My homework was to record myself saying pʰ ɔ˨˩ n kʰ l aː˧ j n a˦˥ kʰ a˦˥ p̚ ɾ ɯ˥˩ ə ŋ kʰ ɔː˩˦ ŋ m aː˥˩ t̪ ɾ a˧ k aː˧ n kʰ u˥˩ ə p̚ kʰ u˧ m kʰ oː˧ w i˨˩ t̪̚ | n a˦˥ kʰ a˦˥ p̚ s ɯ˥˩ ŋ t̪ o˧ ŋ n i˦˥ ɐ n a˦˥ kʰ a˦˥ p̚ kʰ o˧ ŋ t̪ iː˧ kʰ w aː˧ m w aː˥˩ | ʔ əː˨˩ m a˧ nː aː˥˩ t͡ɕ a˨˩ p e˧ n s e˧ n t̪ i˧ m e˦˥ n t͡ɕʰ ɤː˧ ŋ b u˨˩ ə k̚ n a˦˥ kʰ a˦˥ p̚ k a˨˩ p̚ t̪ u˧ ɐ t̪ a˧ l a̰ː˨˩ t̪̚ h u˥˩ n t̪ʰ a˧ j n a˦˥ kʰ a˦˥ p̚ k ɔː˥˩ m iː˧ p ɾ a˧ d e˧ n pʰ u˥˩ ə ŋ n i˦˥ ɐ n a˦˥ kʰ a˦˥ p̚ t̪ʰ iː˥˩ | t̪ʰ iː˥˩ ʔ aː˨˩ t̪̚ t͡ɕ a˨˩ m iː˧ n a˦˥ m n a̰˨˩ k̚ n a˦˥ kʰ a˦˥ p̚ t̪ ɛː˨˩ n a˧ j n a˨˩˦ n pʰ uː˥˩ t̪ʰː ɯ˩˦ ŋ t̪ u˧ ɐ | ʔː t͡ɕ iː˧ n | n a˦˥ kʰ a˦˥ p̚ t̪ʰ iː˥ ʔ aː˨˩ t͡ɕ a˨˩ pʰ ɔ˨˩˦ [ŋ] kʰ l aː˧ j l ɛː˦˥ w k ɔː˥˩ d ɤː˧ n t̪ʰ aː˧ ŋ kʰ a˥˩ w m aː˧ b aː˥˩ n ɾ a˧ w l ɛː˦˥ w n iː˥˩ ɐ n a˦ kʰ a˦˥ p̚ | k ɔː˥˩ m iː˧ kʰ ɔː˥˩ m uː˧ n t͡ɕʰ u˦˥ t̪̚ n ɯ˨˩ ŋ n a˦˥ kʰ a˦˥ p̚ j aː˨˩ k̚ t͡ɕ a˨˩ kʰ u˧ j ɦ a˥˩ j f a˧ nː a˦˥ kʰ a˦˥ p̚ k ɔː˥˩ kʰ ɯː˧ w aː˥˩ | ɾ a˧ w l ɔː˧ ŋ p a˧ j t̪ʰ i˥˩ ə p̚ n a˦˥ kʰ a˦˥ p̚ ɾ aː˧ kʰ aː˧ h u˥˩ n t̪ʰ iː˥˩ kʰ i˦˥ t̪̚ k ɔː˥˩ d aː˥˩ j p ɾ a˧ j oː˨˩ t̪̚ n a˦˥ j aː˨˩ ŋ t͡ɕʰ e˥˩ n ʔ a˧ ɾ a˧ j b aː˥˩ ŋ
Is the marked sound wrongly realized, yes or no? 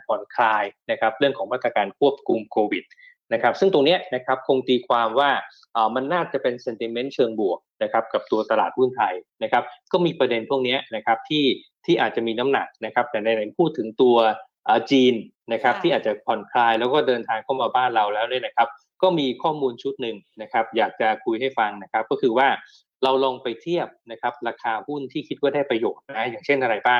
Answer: yes